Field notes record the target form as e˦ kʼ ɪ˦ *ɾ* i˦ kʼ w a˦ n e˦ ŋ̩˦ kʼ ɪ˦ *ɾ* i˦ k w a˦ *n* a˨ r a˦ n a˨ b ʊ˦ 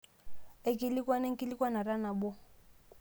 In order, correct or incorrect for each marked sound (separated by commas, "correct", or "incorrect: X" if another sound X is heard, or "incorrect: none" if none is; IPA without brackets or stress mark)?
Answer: incorrect: l, incorrect: l, correct